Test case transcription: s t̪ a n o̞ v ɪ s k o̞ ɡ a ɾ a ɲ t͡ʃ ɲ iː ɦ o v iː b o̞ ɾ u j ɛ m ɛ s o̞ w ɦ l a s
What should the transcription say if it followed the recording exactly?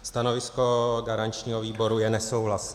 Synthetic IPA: s t̪ a n o̞ v ɪ s k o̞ ɡ a ɾ a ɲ t͡ʃ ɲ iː ɦ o v iː b o̞ ɾ u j ɛ n ɛ s o̞ w ɦ l a s